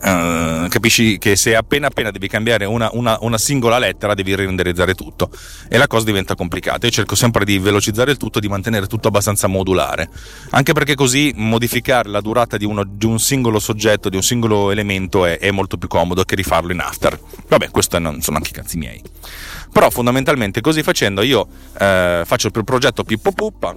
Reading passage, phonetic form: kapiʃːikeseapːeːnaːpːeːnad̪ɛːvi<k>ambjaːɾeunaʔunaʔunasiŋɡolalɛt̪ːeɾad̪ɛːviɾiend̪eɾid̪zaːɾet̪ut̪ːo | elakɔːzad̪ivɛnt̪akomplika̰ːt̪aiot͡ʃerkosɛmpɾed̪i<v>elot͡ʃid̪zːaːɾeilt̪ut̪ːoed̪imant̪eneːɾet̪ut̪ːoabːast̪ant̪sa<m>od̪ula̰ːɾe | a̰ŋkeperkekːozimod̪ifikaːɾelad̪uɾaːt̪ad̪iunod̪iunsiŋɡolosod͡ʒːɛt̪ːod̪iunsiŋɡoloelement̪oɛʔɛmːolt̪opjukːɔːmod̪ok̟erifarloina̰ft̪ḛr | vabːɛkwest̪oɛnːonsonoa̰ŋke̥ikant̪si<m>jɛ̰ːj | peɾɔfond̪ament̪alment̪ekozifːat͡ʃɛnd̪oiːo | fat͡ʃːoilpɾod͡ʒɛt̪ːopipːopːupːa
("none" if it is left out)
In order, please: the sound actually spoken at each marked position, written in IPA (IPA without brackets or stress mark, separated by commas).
k, v, m, m